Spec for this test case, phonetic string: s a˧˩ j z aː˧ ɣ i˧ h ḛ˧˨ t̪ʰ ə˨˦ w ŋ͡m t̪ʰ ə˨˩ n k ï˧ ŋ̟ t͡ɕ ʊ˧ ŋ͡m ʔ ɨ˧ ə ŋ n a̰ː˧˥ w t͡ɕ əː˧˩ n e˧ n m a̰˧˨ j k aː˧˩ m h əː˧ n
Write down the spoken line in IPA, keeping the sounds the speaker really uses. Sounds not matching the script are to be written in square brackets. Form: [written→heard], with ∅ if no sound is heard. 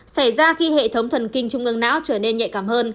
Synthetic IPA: s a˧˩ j z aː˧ [ɣ→x] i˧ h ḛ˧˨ t̪ʰ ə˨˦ w ŋ͡m t̪ʰ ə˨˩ n k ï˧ ŋ̟ t͡ɕ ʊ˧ ŋ͡m ʔ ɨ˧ ə ŋ n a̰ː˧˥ w t͡ɕ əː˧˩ n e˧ n [m→ɲ] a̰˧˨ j k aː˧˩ m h əː˧ n